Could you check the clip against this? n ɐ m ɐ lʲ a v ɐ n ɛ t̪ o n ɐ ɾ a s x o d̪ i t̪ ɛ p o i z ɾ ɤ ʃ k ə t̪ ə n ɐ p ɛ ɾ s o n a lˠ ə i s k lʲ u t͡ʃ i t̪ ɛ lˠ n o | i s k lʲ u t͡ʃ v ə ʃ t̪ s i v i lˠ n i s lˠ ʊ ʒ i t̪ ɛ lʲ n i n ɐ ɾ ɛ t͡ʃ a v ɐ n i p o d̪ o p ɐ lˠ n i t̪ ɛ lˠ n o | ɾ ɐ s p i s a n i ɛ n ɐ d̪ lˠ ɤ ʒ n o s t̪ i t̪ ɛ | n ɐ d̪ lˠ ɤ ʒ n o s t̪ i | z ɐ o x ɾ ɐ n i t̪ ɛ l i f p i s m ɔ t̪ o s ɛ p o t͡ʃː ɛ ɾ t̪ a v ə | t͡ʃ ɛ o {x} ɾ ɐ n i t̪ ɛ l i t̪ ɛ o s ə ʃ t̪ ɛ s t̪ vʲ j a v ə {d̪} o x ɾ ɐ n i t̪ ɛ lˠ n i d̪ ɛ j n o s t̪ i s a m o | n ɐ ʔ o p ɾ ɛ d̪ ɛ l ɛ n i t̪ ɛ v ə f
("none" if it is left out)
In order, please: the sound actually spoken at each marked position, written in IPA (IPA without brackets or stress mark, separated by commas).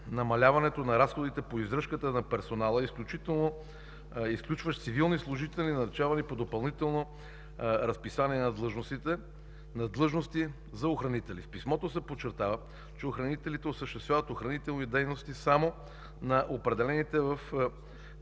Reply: x, t̪